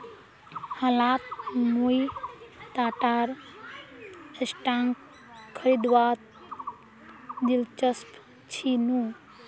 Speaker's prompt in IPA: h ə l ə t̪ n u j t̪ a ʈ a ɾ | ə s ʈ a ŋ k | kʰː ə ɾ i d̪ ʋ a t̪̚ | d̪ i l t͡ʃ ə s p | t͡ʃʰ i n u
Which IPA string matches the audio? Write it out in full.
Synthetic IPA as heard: h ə l a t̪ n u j t̪ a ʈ a ɾ | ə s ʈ a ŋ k | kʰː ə ɾ i d̪ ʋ a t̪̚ | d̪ i l t͡ʃ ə s p | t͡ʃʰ i n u